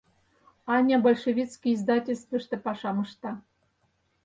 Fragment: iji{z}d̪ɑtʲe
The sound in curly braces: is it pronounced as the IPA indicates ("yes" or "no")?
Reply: yes